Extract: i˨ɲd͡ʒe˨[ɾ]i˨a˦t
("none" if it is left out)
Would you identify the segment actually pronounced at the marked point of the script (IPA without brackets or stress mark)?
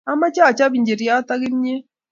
ɾ